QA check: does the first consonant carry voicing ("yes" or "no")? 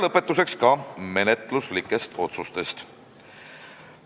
yes